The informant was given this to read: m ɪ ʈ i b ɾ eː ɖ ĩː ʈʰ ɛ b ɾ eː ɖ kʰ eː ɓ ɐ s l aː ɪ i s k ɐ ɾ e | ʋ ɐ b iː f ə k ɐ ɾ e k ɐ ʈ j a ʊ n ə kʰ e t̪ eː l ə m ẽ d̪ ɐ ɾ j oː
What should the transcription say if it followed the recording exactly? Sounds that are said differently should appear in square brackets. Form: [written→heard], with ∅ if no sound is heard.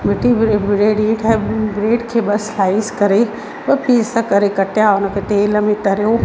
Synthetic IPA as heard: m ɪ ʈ i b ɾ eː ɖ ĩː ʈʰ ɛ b ɾ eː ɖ kʰ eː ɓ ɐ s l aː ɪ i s k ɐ ɾ e | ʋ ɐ [b→p] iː [f→s] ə k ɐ ɾ e k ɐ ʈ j a ʊ n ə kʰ e t̪ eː l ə m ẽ [d̪→t̪] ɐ ɾ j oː